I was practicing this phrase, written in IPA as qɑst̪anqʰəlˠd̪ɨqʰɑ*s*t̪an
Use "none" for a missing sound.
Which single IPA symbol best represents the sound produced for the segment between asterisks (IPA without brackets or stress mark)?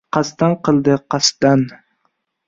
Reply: s